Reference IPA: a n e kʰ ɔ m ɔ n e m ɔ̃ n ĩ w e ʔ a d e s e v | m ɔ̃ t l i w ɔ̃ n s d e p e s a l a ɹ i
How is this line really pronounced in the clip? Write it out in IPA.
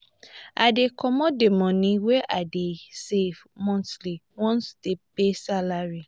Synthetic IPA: a d e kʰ ɔ m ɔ d e m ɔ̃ n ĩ w e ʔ a d e s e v | m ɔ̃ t l i w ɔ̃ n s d e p e s a l a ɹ i